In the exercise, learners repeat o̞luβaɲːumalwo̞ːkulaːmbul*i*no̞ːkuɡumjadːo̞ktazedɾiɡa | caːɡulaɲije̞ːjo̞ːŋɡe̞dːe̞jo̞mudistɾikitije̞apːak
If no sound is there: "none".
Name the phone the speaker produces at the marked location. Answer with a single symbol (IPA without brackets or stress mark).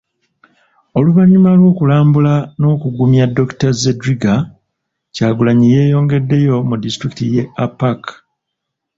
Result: a